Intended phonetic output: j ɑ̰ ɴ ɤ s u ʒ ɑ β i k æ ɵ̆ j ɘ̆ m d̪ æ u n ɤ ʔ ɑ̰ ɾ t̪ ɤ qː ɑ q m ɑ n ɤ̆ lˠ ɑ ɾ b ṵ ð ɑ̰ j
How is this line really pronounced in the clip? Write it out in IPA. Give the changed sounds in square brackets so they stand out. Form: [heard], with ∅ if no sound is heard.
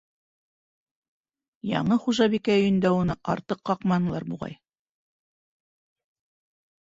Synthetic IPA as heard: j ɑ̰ ɴ ɤ [χ] u ʒ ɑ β i k æ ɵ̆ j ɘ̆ [n] d̪ æ u n ɤ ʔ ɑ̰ ɾ t̪ ɤ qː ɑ q m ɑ n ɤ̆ lˠ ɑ ɾ b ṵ [ʁ] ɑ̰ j